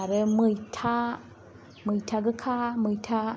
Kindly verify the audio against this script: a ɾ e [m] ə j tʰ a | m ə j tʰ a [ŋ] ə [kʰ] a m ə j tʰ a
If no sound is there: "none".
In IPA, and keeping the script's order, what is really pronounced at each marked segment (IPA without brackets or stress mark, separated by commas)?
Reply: m, ɡ, kʰ